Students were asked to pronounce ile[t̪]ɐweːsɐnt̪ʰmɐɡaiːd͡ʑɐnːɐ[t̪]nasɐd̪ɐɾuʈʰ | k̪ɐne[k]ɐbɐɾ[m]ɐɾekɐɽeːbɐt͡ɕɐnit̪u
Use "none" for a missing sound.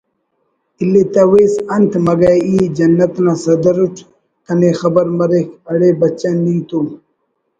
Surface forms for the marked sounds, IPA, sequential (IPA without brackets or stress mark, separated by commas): t̪, t̪, x, m